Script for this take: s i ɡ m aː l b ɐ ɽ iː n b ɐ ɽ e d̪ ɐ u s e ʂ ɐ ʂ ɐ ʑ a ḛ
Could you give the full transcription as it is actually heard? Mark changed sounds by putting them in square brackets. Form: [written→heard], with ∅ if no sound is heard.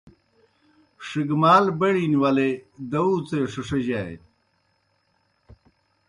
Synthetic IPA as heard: [s→ʂ] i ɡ m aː l b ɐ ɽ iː n [b→w] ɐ [ɽ→l] e d̪ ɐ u [s→t͡s] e ʂ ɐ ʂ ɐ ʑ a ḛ